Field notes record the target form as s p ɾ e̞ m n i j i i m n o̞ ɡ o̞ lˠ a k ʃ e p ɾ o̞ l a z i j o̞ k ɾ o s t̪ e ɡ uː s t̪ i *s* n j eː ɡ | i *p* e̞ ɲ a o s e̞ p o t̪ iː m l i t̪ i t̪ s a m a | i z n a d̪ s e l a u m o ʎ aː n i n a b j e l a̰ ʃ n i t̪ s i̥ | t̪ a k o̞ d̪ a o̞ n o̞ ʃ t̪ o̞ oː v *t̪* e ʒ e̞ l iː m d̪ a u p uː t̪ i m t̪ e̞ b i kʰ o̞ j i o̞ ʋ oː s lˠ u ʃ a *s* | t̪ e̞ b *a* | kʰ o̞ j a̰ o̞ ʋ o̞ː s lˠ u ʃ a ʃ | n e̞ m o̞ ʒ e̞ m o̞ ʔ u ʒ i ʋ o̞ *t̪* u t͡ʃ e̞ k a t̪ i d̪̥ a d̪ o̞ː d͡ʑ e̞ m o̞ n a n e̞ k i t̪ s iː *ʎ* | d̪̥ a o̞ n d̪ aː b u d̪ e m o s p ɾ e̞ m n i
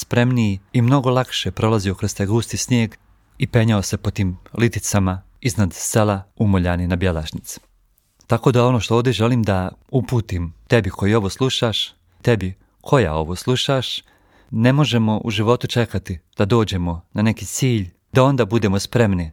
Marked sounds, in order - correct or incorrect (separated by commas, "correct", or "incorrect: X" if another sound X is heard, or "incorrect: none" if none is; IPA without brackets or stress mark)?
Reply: correct, correct, incorrect: d̪, incorrect: ʃ, incorrect: i, correct, correct